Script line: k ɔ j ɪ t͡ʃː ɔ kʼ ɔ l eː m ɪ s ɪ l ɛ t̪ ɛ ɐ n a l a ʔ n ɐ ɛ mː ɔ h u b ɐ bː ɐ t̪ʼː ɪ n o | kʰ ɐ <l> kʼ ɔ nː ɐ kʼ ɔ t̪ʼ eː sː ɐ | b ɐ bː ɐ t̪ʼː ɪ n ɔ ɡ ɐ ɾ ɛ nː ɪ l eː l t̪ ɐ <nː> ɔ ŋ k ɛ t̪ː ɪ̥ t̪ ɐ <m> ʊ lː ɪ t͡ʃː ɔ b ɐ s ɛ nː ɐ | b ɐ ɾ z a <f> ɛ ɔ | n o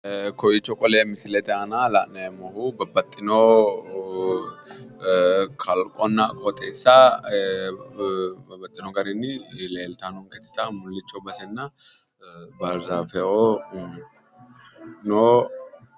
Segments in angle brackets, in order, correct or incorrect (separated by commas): correct, incorrect, correct, correct